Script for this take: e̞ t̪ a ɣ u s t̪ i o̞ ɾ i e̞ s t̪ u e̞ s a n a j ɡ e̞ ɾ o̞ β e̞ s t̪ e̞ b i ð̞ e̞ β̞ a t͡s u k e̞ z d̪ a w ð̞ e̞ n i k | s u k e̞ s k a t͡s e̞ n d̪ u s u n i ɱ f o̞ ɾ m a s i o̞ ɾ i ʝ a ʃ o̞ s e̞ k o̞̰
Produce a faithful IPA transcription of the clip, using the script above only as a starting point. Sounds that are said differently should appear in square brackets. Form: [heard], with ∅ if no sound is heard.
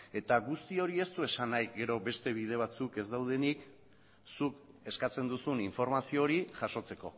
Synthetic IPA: e̞ t̪ a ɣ u s t̪ i o̞ ɾ i e̞ s t̪ u e̞ s a n a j ɡ e̞ ɾ o̞ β e̞ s t̪ e̞ [β] i ð̞ e̞ β̞ a t͡s u k e̞ z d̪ a w ð̞ e̞ n i k | s u k e̞ s k a t͡s e̞ n d̪ u s u n i ɱ f o̞ ɾ m a s i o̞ ɾ i ʝ a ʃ o̞ [t͡s] e̞ k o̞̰